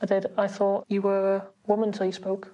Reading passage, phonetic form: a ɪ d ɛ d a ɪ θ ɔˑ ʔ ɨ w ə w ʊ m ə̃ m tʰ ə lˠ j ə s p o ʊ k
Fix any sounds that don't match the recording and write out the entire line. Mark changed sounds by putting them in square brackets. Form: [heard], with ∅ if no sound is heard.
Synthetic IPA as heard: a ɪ d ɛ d a ɪ θ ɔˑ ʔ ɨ w ə w ʊ m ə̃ [n] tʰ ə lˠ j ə s p o ʊ k